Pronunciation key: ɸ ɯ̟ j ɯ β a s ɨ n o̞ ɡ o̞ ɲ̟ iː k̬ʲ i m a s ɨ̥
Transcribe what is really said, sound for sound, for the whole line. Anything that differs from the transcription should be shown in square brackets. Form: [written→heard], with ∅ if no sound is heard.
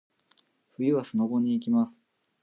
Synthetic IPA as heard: ɸ ɯ̟ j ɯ β a s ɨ n o̞ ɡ o̞ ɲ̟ iː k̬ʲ i m a s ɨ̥